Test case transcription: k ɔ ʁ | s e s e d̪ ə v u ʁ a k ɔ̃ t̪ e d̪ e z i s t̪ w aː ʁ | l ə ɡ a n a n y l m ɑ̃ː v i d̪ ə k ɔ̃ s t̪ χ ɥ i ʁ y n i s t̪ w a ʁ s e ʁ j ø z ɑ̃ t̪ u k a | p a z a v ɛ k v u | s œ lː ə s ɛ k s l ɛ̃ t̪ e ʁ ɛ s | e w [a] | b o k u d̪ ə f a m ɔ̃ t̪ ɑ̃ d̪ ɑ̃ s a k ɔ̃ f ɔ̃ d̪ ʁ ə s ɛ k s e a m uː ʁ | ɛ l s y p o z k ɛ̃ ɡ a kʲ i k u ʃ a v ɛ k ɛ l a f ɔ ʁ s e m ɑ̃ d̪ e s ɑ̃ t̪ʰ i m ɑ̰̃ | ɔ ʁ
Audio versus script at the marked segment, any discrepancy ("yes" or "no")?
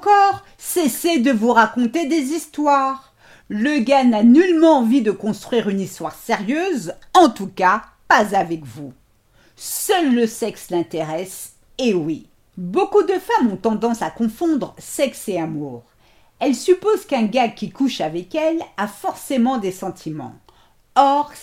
yes